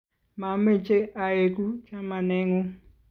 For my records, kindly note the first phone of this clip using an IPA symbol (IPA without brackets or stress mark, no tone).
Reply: m